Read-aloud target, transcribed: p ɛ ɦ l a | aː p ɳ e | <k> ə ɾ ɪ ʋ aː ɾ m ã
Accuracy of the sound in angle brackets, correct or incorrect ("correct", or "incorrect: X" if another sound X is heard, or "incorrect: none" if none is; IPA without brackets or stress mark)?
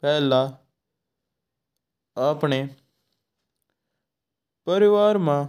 incorrect: p